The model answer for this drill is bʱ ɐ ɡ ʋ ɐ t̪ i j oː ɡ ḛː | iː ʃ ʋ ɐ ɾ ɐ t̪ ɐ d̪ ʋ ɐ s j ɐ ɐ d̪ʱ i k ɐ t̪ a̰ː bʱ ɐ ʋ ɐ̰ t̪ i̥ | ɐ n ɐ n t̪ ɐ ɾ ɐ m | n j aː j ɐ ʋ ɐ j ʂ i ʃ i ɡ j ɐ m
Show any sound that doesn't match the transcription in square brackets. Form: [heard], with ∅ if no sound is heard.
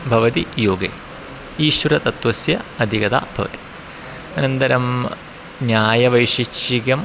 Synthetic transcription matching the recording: bʱ ɐ [∅] ʋ ɐ t̪ i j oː ɡ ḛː | iː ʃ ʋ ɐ ɾ ɐ t̪ ɐ [t̪] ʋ ɐ s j ɐ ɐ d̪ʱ i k ɐ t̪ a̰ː bʱ ɐ ʋ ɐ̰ t̪ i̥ | ɐ n ɐ n t̪ ɐ ɾ ɐ m | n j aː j ɐ ʋ ɐ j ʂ i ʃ i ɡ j ɐ m